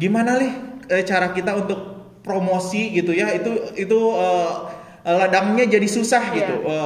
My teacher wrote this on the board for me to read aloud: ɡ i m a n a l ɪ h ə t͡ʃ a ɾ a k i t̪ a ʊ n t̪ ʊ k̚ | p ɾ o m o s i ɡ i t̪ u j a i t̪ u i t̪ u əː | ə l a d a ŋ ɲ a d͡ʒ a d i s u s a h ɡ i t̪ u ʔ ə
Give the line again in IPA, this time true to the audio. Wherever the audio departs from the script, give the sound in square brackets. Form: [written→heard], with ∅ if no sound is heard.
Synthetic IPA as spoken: ɡ i m a n a l ɪ h ə t͡ʃ a ɾ a k i t̪ a [ʊ→u] n t̪ ʊ k̚ | p ɾ o m o s i ɡ i t̪ u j a i t̪ u i t̪ u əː | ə l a d a ŋ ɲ a d͡ʒ a d i s u s a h ɡ i t̪ u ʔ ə